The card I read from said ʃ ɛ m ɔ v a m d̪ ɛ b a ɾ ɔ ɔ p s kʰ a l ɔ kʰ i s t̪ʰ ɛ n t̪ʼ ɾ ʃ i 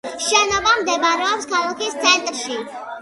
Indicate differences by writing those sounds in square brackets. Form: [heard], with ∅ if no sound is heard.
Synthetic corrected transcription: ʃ ɛ [n] ɔ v a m d̪ ɛ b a ɾ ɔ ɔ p s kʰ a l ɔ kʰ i s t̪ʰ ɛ n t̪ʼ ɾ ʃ i

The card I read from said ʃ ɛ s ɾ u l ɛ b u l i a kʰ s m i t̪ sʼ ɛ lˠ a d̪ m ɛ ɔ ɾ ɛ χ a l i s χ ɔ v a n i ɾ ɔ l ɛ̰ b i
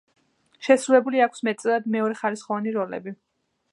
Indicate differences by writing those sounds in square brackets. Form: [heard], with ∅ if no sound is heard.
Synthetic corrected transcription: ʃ ɛ s ɾ u l ɛ b u l i a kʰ s m [ɛ] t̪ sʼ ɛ lˠ a d̪ m ɛ ɔ ɾ ɛ χ a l i s χ ɔ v a n i ɾ ɔ l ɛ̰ b i

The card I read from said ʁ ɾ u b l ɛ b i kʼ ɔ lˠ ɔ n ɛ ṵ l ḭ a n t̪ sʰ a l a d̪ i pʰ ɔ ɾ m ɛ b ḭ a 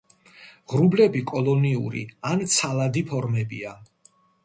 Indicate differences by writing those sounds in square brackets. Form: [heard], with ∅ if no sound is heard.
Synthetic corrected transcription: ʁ ɾ u b l ɛ b i kʼ ɔ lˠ ɔ n [i] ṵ [ɾ] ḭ a n t̪ sʰ a l a d̪ i pʰ ɔ ɾ m ɛ b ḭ a

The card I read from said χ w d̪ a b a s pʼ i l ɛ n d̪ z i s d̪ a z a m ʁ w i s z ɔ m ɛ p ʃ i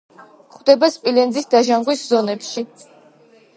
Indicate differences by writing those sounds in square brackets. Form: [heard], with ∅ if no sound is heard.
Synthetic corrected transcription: χ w d̪ [ɛ] b a s pʼ i l ɛ n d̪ z i s d̪ a [ʒ] a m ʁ w i s z ɔ [n] ɛ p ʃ i

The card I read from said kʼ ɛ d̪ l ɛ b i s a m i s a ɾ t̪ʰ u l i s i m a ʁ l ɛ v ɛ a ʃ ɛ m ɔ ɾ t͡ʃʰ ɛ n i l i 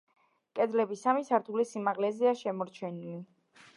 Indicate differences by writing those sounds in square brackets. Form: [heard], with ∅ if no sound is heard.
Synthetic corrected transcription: kʼ ɛ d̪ l ɛ b i s a m i s a ɾ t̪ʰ u l i s i m a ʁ l ɛ [z] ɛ a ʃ ɛ m ɔ ɾ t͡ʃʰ ɛ n i l i

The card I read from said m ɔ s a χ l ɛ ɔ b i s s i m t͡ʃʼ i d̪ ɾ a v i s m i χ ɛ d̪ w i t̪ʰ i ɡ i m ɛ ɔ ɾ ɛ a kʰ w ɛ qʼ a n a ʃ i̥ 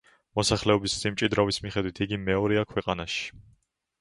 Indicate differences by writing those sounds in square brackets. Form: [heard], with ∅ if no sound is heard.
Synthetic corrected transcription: m ɔ s a χ l ɛ ɔ b i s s i m t͡ʃʼ i d̪ ɾ a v i s m i χ ɛ d̪ w i t̪ʰ i ɡ i m ɛ ɔ ɾ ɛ a kʰ w ɛ qʼ a n a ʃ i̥

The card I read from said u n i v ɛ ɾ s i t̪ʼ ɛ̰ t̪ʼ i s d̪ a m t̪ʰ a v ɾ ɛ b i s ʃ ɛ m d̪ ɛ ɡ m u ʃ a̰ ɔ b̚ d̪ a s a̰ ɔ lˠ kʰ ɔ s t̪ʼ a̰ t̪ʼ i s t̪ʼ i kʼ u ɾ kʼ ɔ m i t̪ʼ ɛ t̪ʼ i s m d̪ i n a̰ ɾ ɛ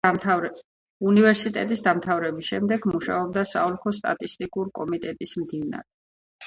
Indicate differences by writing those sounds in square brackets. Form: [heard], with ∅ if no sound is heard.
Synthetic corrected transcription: u n i v ɛ ɾ s i t̪ʼ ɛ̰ t̪ʼ i s d̪ a m t̪ʰ a v ɾ ɛ b i s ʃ ɛ m d̪ ɛ ɡ m u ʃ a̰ ɔ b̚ d̪ a s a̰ ɔ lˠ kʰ ɔ s t̪ʼ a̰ t̪ʼ i s t̪ʼ i kʼ u ɾ kʼ ɔ m i t̪ʼ ɛ t̪ʼ i s m d̪ i n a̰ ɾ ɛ

